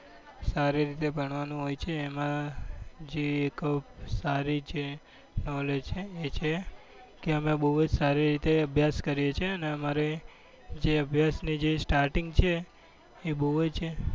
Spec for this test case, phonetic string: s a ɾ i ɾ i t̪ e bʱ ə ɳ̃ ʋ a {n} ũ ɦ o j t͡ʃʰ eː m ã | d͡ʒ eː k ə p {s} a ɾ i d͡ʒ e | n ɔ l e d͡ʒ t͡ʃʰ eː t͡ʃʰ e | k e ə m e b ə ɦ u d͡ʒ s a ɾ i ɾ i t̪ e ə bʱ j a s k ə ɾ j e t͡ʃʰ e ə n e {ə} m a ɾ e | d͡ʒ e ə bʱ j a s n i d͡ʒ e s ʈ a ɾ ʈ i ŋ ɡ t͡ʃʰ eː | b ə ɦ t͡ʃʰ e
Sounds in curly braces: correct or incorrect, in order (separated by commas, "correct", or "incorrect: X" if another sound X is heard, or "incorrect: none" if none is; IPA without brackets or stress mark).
correct, correct, correct